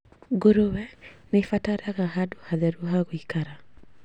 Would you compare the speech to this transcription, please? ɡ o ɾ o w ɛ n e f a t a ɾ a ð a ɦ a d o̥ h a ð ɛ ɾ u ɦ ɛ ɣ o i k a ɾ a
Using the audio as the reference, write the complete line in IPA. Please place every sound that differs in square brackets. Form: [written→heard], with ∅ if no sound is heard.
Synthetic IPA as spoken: ɡ o ɾ o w ɛ n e f a t a ɾ a [ð→ɣ] a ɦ a d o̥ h a ð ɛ ɾ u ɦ [ɛ→a] ɣ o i k a ɾ a